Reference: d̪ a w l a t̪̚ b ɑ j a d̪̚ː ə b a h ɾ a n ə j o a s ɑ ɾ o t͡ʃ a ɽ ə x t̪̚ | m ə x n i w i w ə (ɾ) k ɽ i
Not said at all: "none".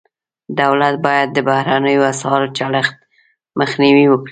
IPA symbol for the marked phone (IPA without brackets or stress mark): none